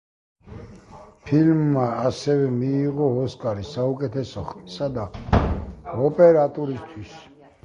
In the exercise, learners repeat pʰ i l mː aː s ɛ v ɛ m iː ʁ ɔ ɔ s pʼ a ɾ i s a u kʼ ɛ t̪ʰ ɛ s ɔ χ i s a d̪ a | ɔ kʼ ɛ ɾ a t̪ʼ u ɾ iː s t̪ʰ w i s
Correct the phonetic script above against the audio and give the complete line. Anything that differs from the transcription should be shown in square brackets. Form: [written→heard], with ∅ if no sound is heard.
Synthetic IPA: pʰ i l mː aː s ɛ v ɛ m iː ʁ ɔ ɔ s [pʼ→kʼ] a ɾ i s a u kʼ ɛ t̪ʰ ɛ s ɔ χ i s a d̪ a | ɔ [kʼ→pʼ] ɛ ɾ a t̪ʼ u ɾ [iː→i] s t̪ʰ w i s

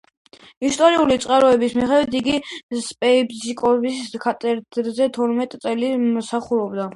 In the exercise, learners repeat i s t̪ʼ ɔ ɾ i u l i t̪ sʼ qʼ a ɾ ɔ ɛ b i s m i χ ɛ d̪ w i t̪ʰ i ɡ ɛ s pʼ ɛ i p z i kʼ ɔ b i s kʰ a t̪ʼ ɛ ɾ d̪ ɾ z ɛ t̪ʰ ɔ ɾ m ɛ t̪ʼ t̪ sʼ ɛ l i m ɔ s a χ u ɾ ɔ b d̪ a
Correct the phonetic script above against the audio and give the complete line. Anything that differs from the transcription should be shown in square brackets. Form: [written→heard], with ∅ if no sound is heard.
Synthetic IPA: i s t̪ʼ ɔ ɾ i u l i t̪ sʼ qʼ a ɾ ɔ ɛ b i s m i χ ɛ d̪ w i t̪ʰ i ɡ [ɛ→i] s pʼ ɛ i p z i kʼ ɔ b i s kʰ a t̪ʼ ɛ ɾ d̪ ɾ z ɛ t̪ʰ ɔ ɾ m ɛ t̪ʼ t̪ sʼ ɛ l i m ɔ s a χ u ɾ ɔ b d̪ a

